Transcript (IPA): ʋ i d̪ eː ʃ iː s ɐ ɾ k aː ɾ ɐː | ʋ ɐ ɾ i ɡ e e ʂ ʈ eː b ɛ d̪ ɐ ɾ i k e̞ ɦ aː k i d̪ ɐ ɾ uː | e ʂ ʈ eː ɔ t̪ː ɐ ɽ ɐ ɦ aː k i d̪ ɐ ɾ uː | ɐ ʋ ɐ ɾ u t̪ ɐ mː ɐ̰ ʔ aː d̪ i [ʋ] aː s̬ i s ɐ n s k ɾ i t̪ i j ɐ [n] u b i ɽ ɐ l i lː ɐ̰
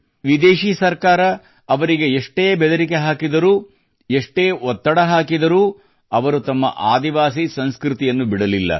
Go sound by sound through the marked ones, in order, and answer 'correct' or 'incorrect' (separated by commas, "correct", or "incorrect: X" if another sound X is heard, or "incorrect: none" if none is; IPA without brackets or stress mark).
correct, incorrect: nː